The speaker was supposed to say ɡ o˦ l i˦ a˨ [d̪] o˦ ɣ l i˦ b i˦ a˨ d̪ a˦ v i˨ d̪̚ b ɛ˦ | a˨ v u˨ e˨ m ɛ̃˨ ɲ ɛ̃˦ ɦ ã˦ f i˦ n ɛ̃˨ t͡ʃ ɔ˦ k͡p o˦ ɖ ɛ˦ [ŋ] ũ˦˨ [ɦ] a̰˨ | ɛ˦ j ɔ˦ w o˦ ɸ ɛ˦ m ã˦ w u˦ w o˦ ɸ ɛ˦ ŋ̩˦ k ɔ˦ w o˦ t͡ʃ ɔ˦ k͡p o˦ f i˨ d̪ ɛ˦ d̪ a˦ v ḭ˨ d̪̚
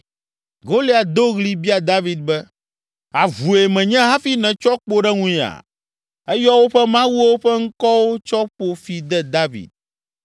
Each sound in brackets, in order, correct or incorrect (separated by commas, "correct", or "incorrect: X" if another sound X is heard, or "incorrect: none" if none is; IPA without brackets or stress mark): correct, correct, incorrect: none